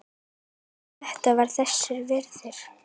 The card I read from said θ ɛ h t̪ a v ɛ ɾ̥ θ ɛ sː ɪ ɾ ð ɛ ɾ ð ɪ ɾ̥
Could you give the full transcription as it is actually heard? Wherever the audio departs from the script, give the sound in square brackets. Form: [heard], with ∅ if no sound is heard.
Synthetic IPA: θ ɛ h t̪ a v [a] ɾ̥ θ ɛ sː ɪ ɾ [v] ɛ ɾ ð ɪ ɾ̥